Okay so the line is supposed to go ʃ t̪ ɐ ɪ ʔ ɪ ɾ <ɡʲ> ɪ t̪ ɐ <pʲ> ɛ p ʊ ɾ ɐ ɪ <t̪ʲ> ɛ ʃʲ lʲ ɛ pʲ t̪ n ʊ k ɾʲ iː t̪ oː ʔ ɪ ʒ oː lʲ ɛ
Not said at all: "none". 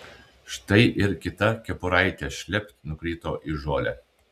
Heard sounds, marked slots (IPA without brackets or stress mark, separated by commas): kʲ, kʲ, t̪ʲ